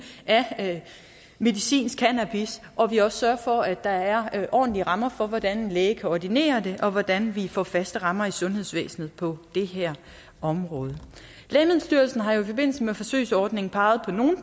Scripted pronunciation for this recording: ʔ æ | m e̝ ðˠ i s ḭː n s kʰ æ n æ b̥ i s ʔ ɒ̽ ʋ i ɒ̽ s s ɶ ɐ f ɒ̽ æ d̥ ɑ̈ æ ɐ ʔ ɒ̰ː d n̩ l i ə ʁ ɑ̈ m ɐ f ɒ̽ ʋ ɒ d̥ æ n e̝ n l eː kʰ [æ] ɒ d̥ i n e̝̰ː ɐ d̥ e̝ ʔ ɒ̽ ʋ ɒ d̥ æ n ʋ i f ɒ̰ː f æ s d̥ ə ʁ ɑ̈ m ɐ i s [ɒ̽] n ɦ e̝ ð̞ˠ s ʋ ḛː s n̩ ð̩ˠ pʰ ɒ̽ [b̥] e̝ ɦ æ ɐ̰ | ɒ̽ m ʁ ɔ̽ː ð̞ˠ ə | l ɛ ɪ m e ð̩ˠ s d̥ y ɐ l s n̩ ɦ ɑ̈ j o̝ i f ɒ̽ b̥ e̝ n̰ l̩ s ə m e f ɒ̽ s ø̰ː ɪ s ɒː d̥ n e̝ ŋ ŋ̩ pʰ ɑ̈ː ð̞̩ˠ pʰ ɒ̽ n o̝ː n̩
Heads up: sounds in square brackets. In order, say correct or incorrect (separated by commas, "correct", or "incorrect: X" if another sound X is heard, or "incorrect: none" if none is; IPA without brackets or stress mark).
correct, incorrect: ɔ̽, incorrect: d̥